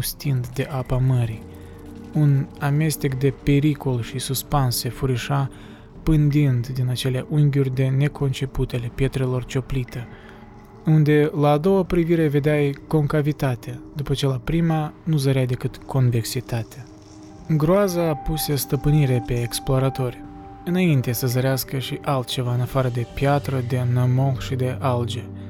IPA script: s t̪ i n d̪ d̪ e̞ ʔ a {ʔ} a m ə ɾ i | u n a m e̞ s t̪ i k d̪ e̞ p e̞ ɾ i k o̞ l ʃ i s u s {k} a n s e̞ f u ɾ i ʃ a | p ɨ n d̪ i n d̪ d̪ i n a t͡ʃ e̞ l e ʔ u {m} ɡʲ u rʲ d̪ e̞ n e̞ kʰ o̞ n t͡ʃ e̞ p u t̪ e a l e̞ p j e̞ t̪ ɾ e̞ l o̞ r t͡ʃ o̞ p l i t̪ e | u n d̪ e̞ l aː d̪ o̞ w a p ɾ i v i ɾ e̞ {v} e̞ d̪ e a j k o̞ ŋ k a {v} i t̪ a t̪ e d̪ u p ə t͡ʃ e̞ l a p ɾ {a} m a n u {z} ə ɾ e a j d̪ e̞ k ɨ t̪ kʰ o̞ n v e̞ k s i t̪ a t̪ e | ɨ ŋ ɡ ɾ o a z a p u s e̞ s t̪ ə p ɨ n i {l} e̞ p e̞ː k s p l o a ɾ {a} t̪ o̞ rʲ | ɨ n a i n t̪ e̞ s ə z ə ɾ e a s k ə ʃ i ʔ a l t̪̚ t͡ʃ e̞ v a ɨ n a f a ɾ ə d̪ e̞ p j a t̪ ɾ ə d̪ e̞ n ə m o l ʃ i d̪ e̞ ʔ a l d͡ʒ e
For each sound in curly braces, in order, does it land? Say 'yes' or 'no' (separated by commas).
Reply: no, no, no, yes, yes, no, yes, no, yes